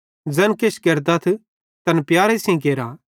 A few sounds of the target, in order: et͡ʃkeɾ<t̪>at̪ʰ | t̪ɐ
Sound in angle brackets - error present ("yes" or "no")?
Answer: yes